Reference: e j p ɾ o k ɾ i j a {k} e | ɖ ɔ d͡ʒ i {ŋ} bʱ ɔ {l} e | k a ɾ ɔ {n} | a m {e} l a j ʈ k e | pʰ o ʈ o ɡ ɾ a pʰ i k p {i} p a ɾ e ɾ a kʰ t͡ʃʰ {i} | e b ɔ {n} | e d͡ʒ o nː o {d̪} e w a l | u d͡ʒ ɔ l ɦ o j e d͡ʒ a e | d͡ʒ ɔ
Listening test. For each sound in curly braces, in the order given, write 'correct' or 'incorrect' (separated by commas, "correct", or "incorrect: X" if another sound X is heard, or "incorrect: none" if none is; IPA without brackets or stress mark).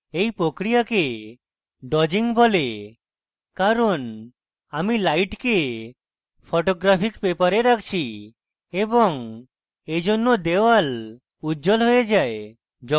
correct, correct, correct, correct, incorrect: i, incorrect: e, correct, incorrect: ŋ, correct